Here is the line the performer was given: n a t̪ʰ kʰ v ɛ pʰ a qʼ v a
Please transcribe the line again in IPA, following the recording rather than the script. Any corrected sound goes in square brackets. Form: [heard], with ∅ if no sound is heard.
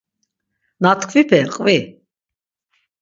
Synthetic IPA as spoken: n a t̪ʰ kʰ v [i] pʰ [ɛ] qʼ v [i]